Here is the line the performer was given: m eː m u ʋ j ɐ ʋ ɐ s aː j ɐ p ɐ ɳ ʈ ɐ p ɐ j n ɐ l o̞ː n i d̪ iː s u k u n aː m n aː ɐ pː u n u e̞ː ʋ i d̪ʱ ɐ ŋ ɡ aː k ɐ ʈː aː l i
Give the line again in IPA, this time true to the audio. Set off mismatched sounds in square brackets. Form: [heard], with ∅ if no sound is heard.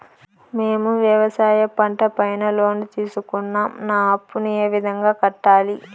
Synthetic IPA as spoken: m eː m u ʋ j ɐ ʋ ɐ s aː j ɐ p ɐ ɳ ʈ ɐ p ɐ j n ɐ l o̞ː n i [t̪] iː s u k u [nː] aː m n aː ɐ pː u n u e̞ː ʋ i d̪ʱ ɐ ŋ ɡ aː k ɐ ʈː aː l i